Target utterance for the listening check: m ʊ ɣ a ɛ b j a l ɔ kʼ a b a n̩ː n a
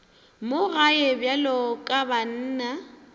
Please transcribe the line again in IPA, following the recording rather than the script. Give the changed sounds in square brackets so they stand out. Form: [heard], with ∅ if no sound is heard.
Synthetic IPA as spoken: m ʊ ɣ a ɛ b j a l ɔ kʼ a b a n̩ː n a